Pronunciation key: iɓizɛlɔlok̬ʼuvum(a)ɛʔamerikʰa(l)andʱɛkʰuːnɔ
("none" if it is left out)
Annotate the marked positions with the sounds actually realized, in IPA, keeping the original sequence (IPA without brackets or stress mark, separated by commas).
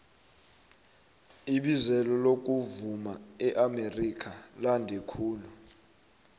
a, l